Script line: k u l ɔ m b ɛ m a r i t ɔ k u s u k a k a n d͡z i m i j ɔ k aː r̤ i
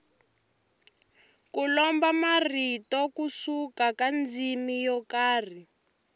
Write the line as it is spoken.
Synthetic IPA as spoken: k u l ɔ m b a m a r i t ɔ k u s u k a k a n d͡z i m i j ɔ k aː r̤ i